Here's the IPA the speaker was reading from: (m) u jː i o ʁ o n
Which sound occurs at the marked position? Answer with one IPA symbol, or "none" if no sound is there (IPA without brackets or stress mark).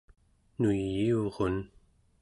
n